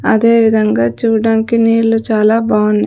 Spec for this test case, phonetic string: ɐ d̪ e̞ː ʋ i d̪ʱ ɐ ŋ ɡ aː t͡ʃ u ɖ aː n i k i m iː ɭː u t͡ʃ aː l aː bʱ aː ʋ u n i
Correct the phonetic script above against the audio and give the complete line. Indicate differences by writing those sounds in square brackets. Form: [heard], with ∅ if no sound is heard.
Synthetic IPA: ɐ d̪ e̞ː ʋ i d̪ʱ ɐ ŋ ɡ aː t͡ʃ [uː] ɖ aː n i k i [n] iː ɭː u t͡ʃ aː l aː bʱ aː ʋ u n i